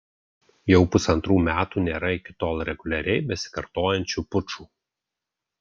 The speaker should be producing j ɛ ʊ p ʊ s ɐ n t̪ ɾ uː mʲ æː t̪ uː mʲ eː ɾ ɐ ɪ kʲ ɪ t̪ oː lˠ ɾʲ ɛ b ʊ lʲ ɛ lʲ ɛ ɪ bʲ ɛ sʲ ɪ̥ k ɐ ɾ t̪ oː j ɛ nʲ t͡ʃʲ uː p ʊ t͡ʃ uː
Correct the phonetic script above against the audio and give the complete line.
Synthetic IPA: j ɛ ʊ p ʊ s ɐ n t̪ ɾ uː mʲ æː t̪ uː nʲ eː ɾ ɐ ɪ kʲ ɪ t̪ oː lˠ ɾʲ ɛ ɡ ʊ lʲ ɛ ɾʲ ɛ ɪ bʲ ɛ sʲ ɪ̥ k ɐ ɾ t̪ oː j ɛ nʲ t͡ʃʲ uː p ʊ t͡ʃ uː